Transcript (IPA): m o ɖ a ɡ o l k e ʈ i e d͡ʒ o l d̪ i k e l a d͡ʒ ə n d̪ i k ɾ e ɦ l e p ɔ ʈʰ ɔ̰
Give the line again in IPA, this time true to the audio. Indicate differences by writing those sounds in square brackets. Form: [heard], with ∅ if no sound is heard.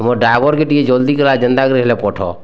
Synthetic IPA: m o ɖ a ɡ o [ɾ] k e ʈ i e d͡ʒ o l d̪ i k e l a d͡ʒ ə n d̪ [a] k ɾ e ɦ l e p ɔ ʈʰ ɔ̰